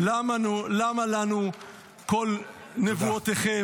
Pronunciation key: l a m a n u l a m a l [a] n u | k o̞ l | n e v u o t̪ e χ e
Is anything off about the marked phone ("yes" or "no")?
no